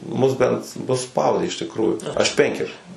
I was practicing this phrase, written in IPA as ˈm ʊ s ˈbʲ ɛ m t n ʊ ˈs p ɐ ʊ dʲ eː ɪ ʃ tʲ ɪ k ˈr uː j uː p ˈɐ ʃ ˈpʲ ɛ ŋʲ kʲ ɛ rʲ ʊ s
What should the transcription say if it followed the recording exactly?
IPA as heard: ˈm ʊ s ˈbʲ ɛ n t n ʊ ˈs p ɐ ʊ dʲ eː ɪ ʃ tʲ ɪ k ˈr uː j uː ˈɐ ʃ ˈpʲ ɛ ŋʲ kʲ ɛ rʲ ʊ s